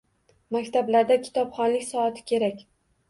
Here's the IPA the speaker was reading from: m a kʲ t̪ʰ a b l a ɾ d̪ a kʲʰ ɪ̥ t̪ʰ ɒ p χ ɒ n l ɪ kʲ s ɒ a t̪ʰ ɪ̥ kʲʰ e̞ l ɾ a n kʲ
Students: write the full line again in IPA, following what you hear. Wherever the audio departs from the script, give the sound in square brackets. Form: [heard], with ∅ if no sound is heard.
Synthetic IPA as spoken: m a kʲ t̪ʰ a b l a ɾ d̪ a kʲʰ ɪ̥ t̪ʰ ɒ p χ ɒ n l ɪ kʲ s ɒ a t̪ʰ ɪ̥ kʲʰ e̞ [∅] ɾ a [∅] kʲ